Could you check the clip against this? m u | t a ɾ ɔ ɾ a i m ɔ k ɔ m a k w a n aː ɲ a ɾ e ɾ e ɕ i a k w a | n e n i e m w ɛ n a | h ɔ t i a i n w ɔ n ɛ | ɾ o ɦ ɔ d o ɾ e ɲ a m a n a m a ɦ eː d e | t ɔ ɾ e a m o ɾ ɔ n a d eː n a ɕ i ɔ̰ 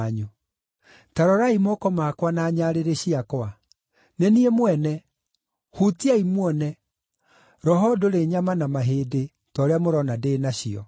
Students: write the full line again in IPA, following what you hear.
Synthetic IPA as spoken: ɲ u | t a ɾ ɔ ɾ a i m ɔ k ɔ m a k w a n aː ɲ a ɾ e ɾ e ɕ i a k w a | n e n i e m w ɛ n ɛ | h u t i a i m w ɔ n ɛ | ɾ ɔ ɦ ɔ d o ɾ e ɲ a m a n a m a ɦ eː d e | t ɔ ɾ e a m o ɾ ɔ n a d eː n a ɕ i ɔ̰